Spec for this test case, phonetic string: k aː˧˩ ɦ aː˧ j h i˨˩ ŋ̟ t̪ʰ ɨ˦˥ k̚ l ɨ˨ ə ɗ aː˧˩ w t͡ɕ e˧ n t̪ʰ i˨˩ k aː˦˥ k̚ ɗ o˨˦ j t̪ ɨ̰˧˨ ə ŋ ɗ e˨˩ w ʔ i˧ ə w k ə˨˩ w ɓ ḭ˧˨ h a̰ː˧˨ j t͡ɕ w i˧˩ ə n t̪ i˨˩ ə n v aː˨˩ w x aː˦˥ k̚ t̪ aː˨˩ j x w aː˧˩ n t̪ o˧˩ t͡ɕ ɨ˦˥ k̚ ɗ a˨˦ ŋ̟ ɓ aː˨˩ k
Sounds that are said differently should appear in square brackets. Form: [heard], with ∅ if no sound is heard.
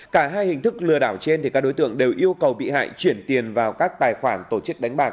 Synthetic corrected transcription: k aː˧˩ ɦ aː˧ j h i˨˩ ŋ̟ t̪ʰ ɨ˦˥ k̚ l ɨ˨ ə ɗ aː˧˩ w t͡ɕ e˧ n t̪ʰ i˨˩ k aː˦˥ k̚ ɗ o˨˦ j t̪ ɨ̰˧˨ ə ŋ ɗ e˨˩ w ʔ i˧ ə w k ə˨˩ w ɓ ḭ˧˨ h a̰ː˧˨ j t͡ɕ w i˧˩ ə n t̪ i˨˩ ə n v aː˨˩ w [k] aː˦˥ k̚ t̪ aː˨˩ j x w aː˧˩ n t̪ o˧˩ t͡ɕ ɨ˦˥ k̚ ɗ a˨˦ ŋ̟ ɓ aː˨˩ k